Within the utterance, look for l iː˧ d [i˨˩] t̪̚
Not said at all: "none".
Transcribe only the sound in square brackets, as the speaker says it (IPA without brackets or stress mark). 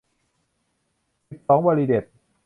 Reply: e˨˩